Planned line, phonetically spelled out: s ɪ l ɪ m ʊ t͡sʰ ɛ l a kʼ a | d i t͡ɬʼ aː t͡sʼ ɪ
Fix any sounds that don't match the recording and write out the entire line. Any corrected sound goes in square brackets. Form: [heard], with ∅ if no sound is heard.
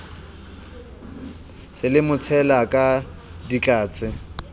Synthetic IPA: s ɪ l ɪ m ʊ t͡sʰ ɛ l a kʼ a | d i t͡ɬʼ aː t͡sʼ ɪ